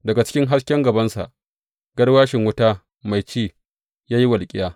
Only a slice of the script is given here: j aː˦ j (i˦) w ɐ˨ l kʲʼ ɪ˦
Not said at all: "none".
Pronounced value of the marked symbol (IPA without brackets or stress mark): i˦